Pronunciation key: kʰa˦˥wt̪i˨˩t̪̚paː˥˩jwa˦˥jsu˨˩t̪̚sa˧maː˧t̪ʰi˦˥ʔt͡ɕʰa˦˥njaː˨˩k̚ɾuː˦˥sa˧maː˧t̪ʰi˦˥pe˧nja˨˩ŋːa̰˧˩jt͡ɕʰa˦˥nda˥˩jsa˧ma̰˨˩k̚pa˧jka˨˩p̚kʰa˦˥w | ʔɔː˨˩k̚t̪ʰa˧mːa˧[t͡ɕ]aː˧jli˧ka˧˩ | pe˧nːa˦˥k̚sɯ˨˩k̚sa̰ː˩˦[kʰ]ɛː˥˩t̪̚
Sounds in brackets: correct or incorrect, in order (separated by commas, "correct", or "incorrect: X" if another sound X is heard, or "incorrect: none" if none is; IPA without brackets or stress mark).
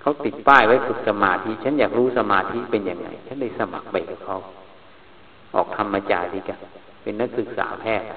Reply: correct, incorrect: pʰ